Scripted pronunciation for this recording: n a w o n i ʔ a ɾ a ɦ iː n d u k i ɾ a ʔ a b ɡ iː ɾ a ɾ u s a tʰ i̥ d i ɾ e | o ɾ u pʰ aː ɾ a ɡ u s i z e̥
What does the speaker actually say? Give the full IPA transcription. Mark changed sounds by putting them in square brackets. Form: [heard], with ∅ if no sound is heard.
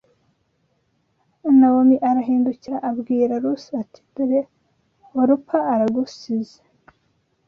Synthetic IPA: n a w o [m] i ʔ a ɾ a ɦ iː n d u [c] i ɾ a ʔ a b ɡ iː ɾ a ɾ u s a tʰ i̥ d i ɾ e | o ɾ u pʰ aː ɾ a ɡ u s i z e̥